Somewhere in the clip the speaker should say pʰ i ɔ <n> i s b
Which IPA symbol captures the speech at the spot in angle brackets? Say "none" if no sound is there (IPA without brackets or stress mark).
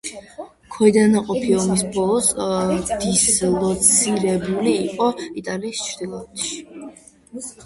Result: m